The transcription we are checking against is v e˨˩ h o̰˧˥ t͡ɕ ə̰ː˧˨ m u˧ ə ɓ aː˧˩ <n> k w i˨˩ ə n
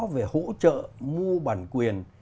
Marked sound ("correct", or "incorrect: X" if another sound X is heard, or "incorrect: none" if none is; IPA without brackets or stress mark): correct